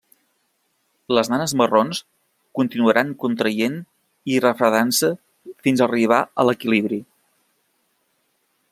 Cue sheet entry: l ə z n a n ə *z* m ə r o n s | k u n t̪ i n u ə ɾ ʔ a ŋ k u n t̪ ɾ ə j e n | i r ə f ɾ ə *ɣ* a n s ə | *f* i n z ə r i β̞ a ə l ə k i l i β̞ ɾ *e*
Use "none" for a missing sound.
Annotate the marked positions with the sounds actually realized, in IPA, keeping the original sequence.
z, ð, f, i

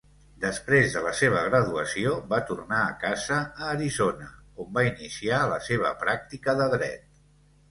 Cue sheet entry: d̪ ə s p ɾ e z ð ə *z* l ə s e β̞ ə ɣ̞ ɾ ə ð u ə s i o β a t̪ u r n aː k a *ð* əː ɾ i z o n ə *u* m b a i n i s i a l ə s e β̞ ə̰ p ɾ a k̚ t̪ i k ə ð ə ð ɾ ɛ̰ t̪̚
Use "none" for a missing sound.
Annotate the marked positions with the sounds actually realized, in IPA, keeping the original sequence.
none, z, o

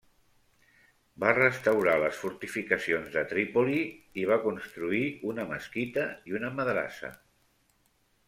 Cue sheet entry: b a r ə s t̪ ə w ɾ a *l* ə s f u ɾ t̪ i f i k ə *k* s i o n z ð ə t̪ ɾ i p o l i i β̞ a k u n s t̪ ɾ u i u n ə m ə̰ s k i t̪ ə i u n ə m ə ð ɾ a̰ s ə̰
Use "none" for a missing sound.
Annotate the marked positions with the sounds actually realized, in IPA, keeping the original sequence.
l, none

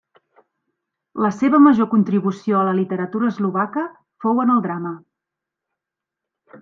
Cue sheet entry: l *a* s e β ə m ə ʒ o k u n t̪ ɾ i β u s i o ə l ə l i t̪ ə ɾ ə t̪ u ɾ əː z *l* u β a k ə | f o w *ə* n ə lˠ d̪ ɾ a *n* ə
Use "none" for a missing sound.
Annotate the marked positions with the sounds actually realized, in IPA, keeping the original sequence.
ə, l, ə, m

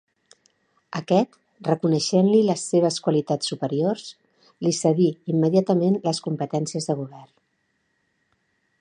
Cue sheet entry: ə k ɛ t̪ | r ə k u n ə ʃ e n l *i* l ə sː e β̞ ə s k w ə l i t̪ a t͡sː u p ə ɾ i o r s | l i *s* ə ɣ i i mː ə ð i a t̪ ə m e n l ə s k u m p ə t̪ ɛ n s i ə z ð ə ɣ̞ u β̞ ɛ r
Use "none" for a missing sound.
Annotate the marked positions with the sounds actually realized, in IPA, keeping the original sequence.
i, s

